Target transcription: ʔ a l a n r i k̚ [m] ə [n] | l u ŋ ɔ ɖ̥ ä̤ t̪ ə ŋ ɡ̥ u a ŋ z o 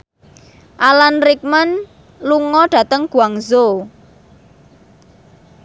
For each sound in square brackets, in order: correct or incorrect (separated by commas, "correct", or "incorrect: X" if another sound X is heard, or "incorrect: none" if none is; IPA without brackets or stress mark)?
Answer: correct, correct